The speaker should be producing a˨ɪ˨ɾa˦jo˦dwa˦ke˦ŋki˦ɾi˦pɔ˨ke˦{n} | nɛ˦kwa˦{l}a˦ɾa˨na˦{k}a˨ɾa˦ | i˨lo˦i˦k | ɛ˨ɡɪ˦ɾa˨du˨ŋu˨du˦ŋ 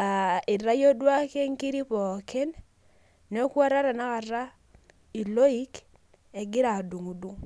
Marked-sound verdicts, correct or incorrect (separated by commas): correct, incorrect, correct